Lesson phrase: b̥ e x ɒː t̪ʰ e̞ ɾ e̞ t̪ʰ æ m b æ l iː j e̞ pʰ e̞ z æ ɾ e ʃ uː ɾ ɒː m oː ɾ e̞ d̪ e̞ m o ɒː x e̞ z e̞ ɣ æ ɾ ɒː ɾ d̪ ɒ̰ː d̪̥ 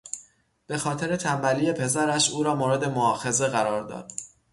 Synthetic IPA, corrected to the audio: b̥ e x ɒː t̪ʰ e̞ ɾ e̞ t̪ʰ æ m b æ l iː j e̞ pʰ e̞ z æ ɾ æ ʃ uː ɾ ɒː m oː ɾ e̞ d̪ e̞ m o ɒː x e̞ z e̞ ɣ æ ɾ ɒː ɾ d̪ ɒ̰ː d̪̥